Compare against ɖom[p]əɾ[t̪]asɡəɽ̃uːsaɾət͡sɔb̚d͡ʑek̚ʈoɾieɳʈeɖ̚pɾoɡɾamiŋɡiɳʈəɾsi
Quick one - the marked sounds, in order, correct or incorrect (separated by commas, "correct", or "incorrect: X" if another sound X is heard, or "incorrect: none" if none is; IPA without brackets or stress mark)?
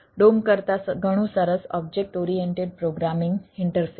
incorrect: k, correct